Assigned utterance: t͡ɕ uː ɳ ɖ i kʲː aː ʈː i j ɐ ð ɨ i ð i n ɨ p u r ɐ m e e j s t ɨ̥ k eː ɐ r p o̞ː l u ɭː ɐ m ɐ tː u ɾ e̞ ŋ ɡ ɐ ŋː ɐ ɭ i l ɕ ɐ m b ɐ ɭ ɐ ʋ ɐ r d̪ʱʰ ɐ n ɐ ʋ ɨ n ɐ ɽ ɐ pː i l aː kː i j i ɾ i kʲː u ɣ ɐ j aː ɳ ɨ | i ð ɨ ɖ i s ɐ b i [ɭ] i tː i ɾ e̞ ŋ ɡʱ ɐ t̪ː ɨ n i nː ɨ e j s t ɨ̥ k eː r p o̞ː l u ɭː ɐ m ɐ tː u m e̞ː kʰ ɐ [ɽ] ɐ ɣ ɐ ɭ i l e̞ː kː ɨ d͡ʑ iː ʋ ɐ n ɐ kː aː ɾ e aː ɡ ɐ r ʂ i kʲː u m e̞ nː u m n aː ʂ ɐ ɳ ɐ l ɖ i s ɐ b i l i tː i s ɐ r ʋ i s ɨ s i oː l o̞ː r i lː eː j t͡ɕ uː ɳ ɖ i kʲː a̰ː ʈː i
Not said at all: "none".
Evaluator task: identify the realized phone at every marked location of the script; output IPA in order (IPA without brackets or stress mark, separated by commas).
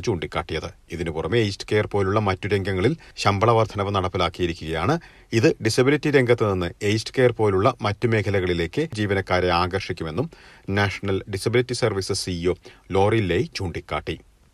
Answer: l, l